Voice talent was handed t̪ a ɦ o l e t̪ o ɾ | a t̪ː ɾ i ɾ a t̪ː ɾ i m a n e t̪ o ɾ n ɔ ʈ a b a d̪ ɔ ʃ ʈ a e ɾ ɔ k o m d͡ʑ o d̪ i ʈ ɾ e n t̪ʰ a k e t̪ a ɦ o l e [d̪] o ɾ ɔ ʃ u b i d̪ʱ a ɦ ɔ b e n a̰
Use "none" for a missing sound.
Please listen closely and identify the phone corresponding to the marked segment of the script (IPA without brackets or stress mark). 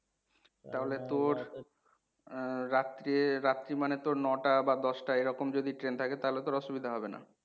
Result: t̪